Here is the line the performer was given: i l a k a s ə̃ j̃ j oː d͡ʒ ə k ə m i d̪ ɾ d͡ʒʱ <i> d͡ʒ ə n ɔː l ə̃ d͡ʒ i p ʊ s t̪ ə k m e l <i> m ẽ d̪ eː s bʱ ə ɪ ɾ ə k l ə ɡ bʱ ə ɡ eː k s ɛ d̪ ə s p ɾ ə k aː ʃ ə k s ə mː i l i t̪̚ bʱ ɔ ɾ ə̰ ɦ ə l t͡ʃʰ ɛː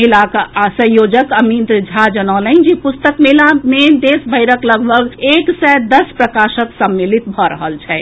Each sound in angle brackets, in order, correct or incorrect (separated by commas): incorrect, incorrect